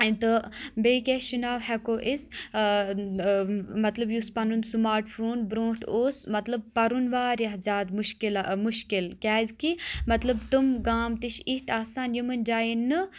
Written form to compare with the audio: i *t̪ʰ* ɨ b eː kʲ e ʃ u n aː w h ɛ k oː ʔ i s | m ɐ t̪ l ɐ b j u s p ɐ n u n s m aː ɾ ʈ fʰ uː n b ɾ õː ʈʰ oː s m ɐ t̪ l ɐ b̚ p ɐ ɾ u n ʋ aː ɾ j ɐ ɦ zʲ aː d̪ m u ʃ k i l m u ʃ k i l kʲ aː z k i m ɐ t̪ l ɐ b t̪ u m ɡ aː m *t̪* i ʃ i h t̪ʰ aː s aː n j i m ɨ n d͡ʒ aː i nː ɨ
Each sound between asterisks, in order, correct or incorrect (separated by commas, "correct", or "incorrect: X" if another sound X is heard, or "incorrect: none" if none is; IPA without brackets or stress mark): incorrect: t̪, correct